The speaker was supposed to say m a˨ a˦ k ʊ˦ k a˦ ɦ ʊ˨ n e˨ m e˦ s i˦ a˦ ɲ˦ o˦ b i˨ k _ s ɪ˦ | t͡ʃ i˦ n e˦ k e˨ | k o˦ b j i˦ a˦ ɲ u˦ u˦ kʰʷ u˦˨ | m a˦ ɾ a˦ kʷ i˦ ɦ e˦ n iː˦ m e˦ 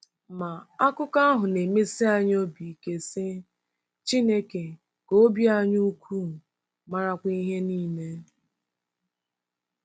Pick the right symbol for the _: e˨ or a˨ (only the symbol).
e˨